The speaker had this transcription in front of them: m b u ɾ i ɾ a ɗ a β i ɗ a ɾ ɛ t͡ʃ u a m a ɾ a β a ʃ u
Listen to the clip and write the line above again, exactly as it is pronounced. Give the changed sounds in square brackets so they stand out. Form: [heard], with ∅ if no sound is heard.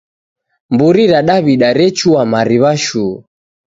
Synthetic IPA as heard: m b u ɾ i ɾ a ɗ a β i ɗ a ɾ ɛ t͡ʃ u a m a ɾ [i] β a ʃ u